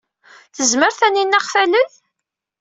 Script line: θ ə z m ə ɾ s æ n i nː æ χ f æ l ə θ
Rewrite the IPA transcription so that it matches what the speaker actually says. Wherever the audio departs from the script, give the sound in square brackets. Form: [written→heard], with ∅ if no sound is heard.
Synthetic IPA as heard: θ ə z m ə ɾ [s→θ] æ n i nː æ χ f æ l ə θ